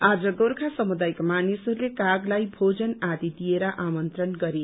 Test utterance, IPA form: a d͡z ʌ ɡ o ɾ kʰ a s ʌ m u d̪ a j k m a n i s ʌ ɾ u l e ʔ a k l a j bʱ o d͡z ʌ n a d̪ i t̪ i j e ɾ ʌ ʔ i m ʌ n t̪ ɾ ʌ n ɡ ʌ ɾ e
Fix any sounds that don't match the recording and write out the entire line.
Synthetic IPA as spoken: a d͡z ʌ ɡ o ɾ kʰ a s ʌ m u d̪ a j k m a n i s ʌ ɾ u l e k a ɡ l a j bʱ o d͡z ʌ n a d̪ i d̪ i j e ɾ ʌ ʔ a m ʌ n t̪ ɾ ʌ n ɡ ʌ ɾ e